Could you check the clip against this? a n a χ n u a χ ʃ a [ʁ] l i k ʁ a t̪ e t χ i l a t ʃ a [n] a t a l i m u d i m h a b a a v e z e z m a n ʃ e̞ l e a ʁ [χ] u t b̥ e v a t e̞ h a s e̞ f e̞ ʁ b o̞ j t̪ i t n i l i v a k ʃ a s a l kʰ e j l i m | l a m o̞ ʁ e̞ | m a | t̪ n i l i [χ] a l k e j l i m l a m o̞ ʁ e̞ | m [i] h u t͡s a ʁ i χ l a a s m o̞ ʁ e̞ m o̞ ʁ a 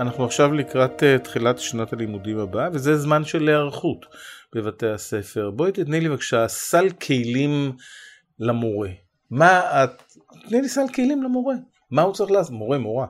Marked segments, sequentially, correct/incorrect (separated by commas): incorrect, correct, correct, incorrect, incorrect